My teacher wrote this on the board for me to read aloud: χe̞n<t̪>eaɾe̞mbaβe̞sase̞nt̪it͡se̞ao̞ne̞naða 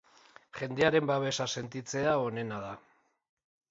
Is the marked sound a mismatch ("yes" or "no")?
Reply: yes